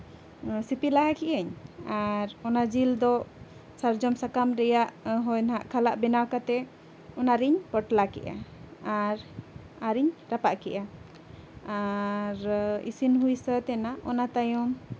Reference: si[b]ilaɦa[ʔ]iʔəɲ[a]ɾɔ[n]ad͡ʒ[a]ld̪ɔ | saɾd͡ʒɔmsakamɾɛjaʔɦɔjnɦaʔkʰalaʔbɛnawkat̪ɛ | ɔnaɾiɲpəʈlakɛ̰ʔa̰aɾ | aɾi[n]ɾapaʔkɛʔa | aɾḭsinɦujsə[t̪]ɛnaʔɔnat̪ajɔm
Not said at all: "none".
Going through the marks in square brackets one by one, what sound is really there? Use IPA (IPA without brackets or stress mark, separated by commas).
p, k, a, n, i, ɲ, t̪